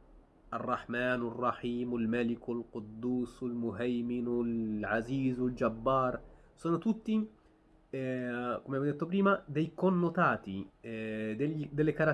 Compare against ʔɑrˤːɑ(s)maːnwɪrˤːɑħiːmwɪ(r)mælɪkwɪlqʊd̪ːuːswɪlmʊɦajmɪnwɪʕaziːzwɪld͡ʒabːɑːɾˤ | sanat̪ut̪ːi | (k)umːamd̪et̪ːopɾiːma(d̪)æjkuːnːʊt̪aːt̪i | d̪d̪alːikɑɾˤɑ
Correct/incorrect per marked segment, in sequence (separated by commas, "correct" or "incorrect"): incorrect, incorrect, correct, correct